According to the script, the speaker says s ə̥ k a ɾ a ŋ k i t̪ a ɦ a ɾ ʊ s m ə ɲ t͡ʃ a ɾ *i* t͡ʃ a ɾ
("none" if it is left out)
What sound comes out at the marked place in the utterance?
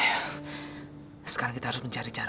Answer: i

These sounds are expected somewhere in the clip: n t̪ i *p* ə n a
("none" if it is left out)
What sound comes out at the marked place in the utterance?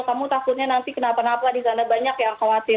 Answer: k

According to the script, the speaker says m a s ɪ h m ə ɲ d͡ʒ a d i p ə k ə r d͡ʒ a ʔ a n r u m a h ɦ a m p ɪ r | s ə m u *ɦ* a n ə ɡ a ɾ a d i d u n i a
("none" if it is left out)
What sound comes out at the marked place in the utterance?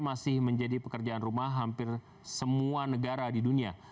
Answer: none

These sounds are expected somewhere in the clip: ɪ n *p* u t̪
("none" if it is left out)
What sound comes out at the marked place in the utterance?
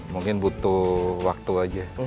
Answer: b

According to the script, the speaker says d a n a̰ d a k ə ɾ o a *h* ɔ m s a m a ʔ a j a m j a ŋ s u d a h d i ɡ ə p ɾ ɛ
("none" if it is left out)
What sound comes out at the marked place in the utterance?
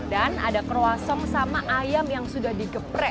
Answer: s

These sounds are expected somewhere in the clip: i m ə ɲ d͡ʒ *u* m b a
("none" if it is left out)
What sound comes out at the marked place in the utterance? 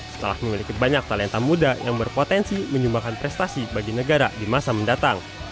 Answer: u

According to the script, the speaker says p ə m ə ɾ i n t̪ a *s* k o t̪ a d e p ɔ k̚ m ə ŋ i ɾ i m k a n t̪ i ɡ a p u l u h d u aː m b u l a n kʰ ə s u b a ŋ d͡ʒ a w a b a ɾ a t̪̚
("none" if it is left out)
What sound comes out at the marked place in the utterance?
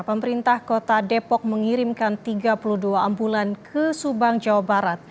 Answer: h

